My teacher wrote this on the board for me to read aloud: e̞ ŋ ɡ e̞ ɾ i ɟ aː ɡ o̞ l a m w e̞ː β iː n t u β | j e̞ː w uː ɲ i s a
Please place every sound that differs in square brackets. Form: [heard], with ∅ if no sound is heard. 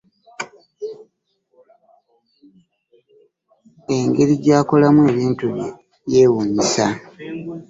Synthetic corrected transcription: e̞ ŋ ɡ e̞ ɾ i ɟ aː [k] o̞ l a m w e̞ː β iː n t u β | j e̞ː w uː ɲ i s a